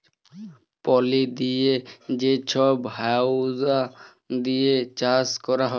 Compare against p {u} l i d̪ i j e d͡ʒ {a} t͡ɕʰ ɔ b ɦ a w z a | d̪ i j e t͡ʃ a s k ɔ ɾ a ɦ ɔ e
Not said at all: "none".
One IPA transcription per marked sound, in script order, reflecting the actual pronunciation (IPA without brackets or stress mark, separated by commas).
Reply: ɔ, e